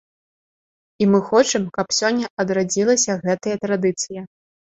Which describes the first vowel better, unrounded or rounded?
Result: unrounded